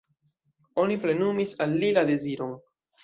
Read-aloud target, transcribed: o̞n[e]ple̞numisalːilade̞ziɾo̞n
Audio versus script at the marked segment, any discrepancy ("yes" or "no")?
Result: yes